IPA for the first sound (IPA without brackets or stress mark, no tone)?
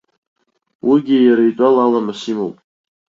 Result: w